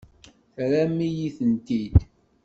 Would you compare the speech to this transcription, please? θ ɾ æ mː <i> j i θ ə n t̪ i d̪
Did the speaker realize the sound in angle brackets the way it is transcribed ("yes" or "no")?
yes